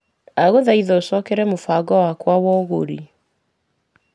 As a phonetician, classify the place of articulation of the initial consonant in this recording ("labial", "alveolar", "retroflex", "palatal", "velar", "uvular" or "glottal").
velar